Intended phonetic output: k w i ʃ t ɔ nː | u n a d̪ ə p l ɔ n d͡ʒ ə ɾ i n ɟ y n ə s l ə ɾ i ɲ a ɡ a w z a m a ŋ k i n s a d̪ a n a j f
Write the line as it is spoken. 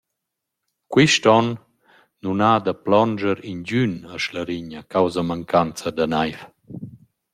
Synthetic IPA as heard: k w i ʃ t ɔ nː | u n a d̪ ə p l ɔ n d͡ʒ ə ɾ i n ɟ y n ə ʃ l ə ɾ i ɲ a k a w z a m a ŋ k a n t͡s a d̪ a n a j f